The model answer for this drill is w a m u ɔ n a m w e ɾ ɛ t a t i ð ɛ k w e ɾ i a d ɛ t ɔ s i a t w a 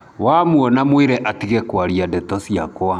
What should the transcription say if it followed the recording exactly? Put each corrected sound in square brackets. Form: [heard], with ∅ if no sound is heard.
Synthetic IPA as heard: w a m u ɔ n a m w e ɾ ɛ [ʔ] a t i [ɣ] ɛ k w [a] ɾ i a d ɛ t ɔ s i a [k] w a